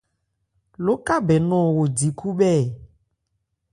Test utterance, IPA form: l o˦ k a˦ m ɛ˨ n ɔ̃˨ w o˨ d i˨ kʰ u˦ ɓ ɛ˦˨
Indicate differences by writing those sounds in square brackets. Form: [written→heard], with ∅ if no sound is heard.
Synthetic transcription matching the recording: l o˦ k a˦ [m→b] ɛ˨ n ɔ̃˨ w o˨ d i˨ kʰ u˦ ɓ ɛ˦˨